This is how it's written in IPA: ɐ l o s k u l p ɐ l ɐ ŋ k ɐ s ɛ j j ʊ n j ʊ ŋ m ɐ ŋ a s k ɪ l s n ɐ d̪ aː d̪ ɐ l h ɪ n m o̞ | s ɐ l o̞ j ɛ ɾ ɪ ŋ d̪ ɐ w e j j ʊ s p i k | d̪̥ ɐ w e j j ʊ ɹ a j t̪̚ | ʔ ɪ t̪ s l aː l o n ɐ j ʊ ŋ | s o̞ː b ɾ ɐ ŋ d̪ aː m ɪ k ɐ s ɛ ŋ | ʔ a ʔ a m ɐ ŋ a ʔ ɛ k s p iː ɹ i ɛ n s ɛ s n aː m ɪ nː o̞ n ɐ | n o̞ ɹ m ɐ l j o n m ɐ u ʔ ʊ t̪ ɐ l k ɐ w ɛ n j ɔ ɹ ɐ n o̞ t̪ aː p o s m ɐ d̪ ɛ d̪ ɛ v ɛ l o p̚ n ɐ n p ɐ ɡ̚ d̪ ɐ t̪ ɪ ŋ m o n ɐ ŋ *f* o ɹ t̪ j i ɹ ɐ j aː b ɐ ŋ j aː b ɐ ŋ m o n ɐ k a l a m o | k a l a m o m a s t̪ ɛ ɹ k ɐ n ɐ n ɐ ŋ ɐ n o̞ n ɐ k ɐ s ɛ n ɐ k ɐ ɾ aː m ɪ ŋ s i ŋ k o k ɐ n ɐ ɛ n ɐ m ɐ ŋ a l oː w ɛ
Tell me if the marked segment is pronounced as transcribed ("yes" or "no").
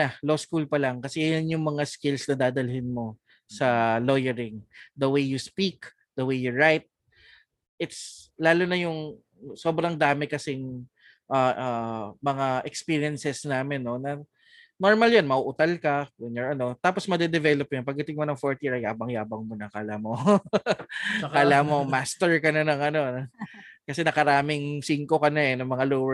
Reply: yes